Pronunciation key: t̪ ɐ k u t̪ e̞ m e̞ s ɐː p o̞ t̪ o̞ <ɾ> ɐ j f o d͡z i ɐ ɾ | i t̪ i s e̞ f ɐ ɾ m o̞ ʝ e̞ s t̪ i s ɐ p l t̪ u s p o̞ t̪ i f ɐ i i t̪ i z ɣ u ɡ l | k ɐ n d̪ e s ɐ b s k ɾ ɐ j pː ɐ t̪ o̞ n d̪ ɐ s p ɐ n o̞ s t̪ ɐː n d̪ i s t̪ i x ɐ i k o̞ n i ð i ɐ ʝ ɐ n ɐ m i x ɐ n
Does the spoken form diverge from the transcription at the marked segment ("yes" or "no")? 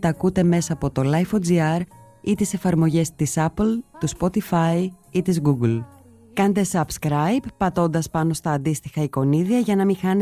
yes